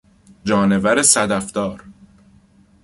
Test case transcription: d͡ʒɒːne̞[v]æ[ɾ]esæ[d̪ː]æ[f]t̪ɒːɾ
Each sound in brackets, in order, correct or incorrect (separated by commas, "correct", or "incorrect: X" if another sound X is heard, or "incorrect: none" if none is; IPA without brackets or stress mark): correct, correct, incorrect: d̪, correct